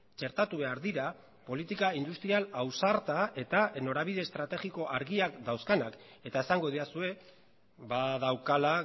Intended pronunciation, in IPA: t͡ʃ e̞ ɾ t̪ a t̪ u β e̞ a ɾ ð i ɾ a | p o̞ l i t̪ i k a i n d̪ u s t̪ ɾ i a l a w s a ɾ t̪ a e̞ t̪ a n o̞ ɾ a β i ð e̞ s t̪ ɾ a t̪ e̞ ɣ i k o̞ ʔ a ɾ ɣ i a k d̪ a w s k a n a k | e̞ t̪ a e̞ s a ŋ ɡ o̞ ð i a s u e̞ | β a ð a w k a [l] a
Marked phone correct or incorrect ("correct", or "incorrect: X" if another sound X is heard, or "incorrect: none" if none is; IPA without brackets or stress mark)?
correct